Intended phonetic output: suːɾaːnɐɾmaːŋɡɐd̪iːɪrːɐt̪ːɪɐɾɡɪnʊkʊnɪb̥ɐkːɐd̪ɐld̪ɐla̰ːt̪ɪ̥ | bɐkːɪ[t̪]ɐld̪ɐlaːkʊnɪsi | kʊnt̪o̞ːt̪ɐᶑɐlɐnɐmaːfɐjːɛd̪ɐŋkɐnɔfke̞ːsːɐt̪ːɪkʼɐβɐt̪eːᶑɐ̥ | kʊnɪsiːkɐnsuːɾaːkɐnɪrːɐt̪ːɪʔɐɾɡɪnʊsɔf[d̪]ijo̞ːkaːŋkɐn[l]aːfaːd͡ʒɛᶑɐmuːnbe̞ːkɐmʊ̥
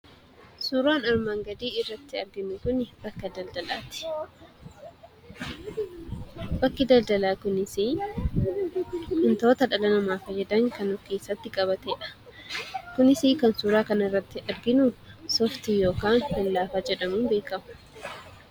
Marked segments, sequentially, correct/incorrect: incorrect, incorrect, correct

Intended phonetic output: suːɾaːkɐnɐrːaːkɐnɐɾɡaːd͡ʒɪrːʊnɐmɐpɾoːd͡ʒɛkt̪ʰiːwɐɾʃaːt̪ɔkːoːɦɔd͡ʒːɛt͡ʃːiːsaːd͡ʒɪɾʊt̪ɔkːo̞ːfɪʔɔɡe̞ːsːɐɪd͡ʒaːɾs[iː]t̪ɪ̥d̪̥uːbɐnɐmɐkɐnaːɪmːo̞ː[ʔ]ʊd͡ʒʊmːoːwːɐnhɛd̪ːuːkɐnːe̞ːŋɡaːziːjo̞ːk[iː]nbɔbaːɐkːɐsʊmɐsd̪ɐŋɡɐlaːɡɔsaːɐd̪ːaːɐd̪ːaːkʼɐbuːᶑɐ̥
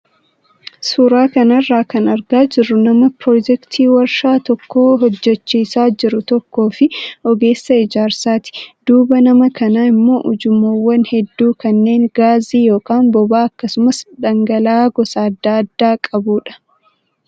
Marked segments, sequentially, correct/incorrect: incorrect, correct, incorrect

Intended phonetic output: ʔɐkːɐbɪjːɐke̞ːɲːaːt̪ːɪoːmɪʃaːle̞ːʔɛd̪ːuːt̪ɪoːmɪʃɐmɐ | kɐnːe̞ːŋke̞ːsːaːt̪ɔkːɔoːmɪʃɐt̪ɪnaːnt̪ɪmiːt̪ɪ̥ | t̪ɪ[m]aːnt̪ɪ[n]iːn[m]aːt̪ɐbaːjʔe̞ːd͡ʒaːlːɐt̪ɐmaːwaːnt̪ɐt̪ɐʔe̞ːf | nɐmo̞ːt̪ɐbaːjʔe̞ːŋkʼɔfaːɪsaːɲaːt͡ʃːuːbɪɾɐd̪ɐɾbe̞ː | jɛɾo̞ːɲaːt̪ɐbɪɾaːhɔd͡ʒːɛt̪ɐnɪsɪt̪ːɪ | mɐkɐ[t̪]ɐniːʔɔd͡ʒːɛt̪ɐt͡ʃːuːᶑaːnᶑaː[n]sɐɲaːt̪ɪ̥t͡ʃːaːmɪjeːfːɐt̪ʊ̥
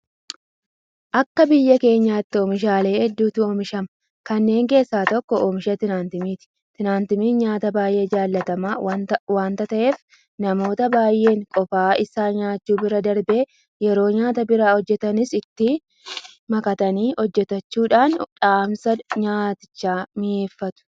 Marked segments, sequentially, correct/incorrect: incorrect, incorrect, incorrect, correct, incorrect

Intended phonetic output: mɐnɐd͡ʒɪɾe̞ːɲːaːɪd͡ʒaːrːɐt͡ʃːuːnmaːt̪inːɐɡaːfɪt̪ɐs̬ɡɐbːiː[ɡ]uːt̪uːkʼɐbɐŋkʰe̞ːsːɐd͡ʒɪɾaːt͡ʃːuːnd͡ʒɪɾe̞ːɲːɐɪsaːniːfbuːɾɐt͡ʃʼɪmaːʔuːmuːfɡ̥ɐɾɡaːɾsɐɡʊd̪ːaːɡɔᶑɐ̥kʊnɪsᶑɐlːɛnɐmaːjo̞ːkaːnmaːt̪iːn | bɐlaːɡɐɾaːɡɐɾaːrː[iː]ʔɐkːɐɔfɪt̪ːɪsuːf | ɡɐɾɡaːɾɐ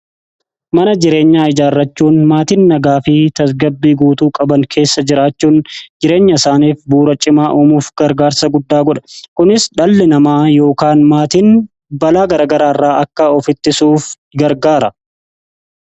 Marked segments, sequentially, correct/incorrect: correct, incorrect

